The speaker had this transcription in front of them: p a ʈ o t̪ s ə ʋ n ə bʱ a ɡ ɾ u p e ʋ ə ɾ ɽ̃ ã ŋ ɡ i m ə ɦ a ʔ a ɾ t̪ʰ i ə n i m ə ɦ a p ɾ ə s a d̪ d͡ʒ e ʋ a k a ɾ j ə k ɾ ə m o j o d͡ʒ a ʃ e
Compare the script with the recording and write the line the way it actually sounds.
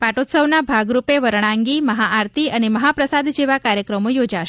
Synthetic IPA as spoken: p a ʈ o t̪ s ə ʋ n a bʱ a ɡ ɾ u p e ʋ ə ɾ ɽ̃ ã ŋ ɡ i m ə ɦ a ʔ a ɾ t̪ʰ i ə n e m ə ɦ a p ɾ ə s a d̪ d͡ʒ e ʋ a k a ɾ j ə k ɾ ə m o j o d͡ʒ a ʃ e